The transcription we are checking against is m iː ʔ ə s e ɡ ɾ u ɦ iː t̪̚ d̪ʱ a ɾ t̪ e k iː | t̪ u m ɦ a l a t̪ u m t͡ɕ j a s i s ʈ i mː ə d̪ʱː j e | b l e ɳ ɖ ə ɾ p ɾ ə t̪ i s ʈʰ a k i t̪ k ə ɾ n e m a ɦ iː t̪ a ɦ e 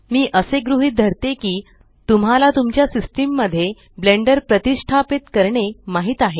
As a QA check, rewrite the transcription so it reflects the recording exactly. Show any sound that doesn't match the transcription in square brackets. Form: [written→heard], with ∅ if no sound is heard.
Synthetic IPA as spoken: m iː ʔ ə s e ɡ ɾ u ɦ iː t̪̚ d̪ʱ [a→ə] ɾ t̪ e k iː | t̪ u m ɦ a l a t̪ u m t͡ɕ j a s i s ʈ i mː ə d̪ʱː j e | b l e ɳ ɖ ə ɾ p ɾ ə t̪ i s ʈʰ a [k→p] i t̪ k ə ɾ [n→ɳ] e m a ɦ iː t̪ a ɦ e